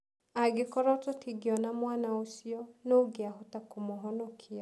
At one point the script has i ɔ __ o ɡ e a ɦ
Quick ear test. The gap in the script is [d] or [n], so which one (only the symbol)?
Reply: n